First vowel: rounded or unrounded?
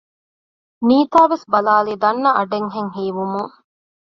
unrounded